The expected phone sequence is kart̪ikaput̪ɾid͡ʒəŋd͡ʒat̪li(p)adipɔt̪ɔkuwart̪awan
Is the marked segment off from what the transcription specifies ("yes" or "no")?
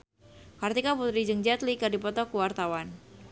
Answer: yes